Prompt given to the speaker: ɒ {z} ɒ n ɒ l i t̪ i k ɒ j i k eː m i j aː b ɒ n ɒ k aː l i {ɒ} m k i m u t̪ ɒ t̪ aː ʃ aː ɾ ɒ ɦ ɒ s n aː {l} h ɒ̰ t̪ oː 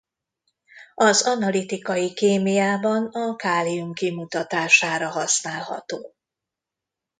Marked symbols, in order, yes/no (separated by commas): yes, no, yes